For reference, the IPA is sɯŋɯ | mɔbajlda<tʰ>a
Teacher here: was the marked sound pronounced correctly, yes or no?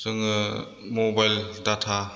yes